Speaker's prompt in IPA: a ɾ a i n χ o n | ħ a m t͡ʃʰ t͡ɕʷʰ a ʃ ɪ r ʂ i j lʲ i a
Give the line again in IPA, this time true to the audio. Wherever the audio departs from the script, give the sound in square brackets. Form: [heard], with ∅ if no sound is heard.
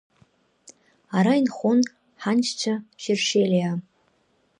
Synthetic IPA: a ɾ a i n χ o n | ħ a [n] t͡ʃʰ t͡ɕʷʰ a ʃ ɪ r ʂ [e] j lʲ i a